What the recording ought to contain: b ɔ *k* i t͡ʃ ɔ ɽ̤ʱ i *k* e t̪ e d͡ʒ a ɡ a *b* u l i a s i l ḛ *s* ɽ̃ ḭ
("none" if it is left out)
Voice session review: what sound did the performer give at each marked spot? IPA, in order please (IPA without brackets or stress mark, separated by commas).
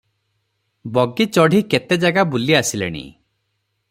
ɡ, k, b, none